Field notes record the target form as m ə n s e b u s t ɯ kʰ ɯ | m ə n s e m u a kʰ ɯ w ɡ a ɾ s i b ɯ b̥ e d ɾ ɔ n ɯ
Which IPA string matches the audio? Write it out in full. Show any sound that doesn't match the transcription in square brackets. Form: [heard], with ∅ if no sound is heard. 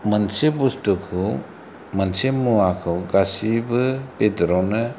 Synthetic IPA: m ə n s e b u s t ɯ kʰ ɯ | m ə n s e m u a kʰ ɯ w ɡ a [∅] s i b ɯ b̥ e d ɾ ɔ n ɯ